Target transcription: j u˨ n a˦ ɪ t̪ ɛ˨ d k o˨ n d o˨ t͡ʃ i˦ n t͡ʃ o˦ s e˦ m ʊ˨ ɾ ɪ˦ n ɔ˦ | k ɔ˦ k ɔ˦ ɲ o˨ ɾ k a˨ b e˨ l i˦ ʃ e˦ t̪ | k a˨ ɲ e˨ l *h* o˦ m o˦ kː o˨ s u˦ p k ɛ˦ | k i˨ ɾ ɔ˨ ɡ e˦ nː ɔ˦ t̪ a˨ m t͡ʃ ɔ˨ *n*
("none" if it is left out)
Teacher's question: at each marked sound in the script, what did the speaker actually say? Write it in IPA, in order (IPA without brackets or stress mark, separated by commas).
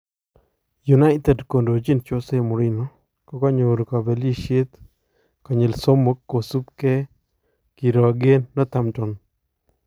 s, n